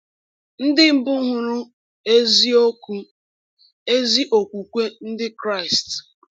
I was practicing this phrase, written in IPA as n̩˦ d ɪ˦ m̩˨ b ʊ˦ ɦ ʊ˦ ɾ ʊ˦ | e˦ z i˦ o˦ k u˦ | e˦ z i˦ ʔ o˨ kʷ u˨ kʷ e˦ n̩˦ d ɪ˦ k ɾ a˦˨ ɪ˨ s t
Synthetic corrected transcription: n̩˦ d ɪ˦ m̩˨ b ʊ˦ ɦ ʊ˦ ɾ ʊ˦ | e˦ z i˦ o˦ k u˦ | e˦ z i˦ ʔ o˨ kʷ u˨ kʷ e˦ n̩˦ d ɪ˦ k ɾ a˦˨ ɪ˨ s t